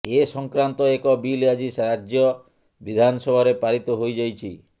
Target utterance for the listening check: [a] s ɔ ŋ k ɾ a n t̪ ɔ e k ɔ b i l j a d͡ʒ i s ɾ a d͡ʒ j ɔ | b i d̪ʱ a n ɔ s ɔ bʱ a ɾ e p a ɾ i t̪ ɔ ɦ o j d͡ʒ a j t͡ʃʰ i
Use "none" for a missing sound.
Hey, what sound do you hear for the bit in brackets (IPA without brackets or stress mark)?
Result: e